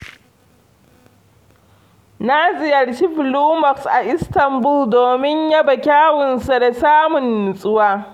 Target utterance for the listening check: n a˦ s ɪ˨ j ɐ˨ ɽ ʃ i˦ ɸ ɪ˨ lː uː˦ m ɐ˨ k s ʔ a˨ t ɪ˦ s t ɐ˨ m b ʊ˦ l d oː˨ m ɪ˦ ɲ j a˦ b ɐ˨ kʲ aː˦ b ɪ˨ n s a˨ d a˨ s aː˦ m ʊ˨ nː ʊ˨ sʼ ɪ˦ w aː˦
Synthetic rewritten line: n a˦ z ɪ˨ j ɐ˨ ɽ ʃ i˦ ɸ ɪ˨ l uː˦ m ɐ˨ k s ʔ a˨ ʔ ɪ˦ s t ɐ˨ m b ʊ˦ l d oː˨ m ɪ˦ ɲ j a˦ b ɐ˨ kʲ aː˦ w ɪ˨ n s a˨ d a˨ s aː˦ m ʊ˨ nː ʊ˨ sʼ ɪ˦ w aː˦